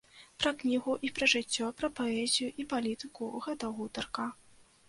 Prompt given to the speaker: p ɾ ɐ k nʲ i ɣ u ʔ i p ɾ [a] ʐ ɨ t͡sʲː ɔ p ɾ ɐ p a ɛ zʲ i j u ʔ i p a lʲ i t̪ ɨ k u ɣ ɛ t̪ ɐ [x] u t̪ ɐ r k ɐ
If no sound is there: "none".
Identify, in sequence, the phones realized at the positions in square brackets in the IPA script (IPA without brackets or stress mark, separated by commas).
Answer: ɐ, ɣ